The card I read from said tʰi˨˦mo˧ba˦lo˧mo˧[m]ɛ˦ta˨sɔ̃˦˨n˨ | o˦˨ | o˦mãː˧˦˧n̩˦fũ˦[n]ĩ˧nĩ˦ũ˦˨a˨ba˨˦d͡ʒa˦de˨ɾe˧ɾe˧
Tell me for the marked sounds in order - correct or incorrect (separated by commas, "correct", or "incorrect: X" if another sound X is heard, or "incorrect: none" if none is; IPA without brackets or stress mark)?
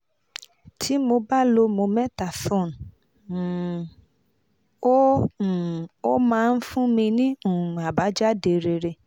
correct, incorrect: m